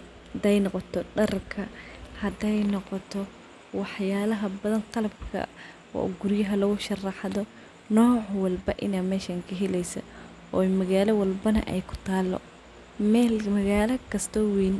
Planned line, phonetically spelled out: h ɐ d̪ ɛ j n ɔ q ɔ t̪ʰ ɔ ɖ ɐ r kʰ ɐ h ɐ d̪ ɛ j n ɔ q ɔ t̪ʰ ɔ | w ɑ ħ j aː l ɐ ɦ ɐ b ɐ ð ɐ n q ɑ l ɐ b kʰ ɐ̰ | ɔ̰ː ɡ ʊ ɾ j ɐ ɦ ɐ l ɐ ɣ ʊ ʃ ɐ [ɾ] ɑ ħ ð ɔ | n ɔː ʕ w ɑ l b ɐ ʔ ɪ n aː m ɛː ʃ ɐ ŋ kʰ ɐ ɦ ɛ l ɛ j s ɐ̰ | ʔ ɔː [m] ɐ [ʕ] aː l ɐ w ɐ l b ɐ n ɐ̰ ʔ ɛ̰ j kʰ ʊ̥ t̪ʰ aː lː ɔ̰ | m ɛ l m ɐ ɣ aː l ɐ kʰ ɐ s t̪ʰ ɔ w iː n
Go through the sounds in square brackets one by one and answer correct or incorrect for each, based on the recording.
incorrect: r, correct, incorrect: ɣ

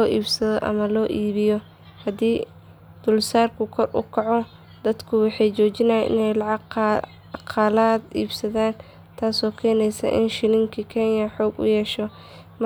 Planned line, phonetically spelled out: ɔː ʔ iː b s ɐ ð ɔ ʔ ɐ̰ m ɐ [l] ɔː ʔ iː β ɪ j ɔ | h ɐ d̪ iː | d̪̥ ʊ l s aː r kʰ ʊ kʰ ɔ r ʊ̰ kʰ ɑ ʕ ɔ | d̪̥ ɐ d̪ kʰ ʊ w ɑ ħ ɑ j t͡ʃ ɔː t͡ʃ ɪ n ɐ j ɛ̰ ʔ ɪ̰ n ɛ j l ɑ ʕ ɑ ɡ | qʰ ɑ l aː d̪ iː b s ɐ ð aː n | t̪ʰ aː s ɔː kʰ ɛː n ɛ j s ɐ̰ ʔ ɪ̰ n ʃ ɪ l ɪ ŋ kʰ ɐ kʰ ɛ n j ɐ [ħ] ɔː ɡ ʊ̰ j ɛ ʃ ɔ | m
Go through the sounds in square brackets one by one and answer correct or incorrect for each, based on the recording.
correct, correct

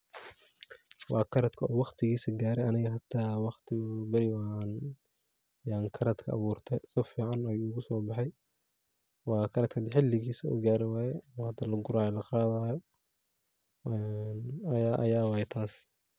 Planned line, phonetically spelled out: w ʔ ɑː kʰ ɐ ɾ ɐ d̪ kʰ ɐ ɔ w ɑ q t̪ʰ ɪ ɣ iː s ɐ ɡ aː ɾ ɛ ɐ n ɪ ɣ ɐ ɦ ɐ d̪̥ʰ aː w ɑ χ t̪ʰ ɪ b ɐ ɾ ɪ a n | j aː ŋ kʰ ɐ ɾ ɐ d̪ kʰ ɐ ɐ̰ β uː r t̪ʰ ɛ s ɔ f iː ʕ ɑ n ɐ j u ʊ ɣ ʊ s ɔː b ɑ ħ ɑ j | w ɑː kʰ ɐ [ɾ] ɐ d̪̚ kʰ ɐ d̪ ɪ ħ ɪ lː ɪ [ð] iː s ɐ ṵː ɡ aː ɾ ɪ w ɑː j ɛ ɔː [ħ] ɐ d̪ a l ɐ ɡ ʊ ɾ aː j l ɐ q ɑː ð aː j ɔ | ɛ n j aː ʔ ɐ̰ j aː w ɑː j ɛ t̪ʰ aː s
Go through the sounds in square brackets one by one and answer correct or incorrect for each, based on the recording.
correct, incorrect: ɣ, incorrect: h

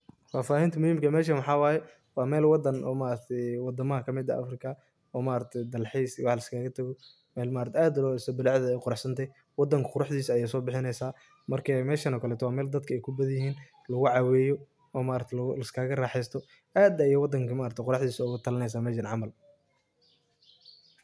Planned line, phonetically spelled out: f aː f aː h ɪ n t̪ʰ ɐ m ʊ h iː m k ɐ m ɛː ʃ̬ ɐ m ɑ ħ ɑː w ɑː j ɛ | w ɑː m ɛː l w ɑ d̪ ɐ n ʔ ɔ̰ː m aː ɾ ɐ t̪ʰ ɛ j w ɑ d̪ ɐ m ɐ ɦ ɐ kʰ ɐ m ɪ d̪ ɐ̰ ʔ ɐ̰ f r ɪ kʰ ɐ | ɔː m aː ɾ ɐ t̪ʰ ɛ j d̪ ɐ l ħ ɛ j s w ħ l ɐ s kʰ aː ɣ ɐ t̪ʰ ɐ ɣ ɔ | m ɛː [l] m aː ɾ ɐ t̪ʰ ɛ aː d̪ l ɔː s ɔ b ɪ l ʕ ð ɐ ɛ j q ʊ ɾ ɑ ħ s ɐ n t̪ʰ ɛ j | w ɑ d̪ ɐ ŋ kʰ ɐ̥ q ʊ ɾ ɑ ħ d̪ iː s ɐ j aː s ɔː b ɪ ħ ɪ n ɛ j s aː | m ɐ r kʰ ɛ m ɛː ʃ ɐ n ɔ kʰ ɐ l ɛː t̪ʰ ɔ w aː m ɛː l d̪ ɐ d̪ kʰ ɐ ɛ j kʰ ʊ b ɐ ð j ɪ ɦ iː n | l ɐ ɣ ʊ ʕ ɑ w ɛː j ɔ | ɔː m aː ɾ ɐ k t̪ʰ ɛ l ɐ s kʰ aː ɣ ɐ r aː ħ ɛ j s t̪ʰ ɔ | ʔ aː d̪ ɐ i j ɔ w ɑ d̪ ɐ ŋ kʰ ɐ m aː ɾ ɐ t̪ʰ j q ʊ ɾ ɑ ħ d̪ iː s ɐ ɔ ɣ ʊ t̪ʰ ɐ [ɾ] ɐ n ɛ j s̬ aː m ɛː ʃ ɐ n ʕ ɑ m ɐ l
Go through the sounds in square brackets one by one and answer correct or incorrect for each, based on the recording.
correct, incorrect: l

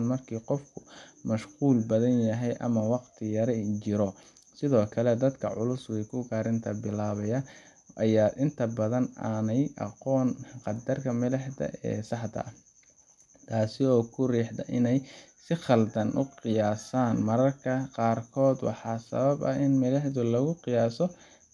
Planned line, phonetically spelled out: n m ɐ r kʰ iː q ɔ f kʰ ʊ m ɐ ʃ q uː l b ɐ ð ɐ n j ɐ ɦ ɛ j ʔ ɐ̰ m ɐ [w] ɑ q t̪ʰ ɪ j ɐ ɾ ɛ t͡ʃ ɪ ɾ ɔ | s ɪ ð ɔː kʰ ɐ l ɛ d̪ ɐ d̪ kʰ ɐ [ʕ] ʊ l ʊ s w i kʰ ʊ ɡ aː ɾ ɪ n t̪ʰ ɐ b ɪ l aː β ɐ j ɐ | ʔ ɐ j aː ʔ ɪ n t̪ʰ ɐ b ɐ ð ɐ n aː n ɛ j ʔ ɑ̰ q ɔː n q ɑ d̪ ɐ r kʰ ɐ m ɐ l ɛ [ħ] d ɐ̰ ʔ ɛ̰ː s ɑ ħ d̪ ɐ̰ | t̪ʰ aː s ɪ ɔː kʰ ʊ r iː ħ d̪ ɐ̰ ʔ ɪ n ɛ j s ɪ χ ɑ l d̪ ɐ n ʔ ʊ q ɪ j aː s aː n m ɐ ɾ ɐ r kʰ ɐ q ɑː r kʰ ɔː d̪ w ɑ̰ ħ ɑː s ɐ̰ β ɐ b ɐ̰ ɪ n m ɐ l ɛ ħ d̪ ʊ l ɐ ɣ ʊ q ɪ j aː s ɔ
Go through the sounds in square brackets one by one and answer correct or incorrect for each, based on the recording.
correct, correct, correct

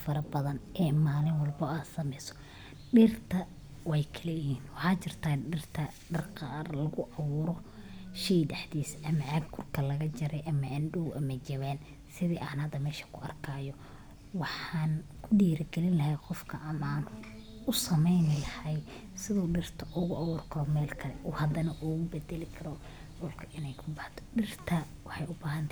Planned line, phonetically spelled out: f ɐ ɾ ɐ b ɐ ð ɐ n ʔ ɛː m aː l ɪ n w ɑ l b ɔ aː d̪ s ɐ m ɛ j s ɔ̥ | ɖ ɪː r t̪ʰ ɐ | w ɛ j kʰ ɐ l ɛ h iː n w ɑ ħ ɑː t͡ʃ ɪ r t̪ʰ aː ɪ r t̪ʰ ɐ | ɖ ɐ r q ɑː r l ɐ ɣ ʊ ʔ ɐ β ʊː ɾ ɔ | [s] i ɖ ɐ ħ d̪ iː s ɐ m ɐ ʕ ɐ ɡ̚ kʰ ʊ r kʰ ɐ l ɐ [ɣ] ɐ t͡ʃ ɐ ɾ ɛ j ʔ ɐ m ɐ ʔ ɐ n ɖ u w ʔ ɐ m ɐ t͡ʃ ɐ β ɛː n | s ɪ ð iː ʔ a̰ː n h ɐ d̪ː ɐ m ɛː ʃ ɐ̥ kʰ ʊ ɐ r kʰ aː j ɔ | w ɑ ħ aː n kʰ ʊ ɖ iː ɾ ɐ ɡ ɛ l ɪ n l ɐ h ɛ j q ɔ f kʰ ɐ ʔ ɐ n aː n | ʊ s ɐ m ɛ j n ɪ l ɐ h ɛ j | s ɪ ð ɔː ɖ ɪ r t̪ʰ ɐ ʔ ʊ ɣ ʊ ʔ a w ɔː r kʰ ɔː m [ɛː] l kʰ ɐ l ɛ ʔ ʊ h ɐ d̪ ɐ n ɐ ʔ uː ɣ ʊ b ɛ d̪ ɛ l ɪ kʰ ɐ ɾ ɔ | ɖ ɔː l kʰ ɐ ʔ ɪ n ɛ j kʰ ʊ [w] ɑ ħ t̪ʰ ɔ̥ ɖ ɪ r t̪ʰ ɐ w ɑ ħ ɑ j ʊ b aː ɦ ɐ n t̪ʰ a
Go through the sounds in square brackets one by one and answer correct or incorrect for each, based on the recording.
incorrect: ʃ, correct, correct, incorrect: b

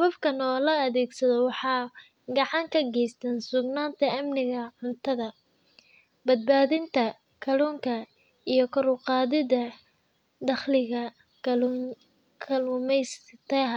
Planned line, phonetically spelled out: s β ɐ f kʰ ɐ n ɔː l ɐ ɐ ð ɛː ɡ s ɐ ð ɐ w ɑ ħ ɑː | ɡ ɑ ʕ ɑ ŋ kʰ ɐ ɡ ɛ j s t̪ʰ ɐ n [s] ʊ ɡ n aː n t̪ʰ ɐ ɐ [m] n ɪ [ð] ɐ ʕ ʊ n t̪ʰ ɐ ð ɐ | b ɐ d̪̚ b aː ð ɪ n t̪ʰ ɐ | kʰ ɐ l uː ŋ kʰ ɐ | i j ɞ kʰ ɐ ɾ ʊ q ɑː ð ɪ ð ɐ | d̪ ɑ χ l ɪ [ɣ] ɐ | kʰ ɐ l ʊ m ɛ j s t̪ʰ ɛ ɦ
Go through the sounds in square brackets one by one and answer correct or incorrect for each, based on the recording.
correct, correct, incorrect: ɣ, correct

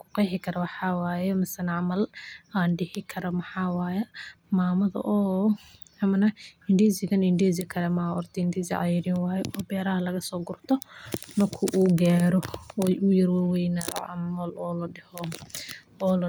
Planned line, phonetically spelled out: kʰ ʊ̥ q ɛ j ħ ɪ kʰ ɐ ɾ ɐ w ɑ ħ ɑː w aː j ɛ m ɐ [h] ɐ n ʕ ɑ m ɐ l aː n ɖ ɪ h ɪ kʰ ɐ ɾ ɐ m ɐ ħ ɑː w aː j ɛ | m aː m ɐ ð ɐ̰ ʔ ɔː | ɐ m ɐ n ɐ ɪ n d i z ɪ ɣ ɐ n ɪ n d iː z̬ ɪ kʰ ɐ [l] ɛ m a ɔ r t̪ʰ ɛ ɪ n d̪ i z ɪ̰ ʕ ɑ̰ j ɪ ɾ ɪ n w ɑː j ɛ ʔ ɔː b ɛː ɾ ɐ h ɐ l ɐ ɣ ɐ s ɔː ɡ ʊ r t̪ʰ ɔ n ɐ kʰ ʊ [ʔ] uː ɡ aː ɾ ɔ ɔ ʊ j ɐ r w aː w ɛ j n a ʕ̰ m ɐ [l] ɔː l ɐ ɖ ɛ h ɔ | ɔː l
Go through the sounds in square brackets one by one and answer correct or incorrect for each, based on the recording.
incorrect: s, incorrect: ɾ, correct, correct

